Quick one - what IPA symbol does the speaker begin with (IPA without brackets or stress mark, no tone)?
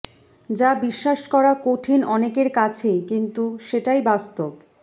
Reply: d͡ʑ